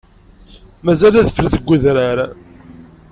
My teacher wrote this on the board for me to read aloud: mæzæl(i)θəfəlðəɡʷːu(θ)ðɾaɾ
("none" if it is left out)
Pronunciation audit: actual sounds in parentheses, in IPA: æ, none

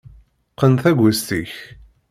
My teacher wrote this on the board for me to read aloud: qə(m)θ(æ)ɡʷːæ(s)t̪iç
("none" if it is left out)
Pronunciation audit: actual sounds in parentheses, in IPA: n, æ, s

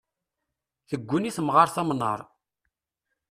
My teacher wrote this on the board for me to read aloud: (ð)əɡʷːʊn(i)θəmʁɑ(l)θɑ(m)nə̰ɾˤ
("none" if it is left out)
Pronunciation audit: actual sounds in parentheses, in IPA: θ, i, ɾ, m

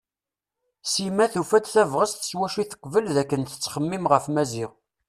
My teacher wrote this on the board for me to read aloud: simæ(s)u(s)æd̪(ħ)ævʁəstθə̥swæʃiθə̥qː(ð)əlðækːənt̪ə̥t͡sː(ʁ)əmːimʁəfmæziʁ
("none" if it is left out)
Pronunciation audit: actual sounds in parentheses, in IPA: θ, f, θ, v, χ

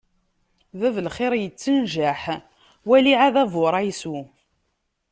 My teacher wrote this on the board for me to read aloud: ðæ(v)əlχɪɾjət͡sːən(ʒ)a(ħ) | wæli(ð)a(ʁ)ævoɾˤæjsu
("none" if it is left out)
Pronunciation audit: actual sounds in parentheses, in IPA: v, ʒ, ħ, ʕ, ð

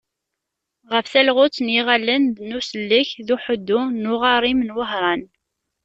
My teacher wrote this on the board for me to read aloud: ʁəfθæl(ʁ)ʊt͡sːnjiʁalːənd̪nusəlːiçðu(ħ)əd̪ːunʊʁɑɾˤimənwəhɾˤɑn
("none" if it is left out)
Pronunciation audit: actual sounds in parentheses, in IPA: ʁ, ħ

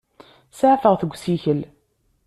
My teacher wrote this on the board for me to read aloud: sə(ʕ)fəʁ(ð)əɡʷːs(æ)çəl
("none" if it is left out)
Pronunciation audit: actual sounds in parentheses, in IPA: ʕ, θ, i

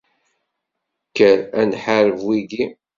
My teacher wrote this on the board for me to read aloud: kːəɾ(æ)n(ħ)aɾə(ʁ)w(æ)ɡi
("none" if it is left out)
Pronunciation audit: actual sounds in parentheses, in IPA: æ, ħ, v, i

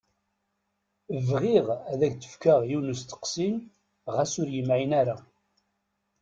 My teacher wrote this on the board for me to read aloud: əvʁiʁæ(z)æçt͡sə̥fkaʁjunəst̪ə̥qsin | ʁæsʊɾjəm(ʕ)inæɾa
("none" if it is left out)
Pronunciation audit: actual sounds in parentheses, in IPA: ð, ʕ

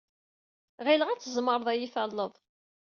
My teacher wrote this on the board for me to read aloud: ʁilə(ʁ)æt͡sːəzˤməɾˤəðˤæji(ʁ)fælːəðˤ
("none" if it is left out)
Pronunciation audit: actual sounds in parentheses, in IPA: ʁ, none

